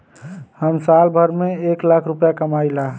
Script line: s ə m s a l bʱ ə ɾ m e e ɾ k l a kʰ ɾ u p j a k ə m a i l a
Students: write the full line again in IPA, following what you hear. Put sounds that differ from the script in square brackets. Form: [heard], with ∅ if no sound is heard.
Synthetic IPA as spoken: [h] ə m s a l bʱ ə ɾ m e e [∅] k l a kʰ ɾ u p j a k ə m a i l a